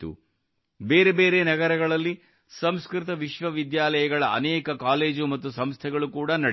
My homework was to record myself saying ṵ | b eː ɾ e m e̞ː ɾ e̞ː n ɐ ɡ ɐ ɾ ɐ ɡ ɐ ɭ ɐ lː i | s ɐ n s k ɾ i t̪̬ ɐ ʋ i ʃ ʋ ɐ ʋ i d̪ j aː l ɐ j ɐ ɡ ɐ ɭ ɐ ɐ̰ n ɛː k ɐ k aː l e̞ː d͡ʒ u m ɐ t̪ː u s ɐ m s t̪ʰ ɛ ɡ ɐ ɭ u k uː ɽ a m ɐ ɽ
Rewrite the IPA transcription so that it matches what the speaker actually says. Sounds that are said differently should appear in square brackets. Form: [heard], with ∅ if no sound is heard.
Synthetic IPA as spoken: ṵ | b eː ɾ e [b] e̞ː ɾ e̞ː n ɐ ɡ ɐ ɾ ɐ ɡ ɐ ɭ ɐ lː i | s ɐ [m] s k ɾ i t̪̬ ɐ ʋ i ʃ ʋ ɐ ʋ i d̪ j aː l ɐ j ɐ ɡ ɐ ɭ ɐ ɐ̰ n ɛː k ɐ k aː l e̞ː d͡ʒ u m ɐ t̪ː u s ɐ m s t̪ʰ ɛ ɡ ɐ ɭ u k uː ɽ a [n] ɐ ɽ